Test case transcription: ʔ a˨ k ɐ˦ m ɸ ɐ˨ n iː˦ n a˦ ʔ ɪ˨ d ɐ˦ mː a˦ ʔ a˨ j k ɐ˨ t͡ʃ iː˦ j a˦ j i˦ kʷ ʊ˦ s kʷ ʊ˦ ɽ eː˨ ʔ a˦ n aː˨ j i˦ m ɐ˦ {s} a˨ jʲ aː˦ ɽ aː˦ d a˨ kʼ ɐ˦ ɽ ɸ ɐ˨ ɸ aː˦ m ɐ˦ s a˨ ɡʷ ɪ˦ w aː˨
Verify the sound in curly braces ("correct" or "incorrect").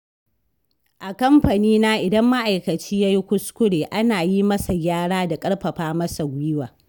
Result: correct